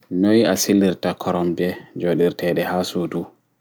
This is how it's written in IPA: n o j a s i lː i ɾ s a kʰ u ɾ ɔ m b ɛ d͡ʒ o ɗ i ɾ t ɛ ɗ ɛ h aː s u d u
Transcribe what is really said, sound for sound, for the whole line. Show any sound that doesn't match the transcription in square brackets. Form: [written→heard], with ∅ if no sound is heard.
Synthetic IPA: n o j a s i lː i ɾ [s→t] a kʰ [u→ɔ] ɾ ɔ m b ɛ d͡ʒ o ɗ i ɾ t ɛ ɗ ɛ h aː s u d u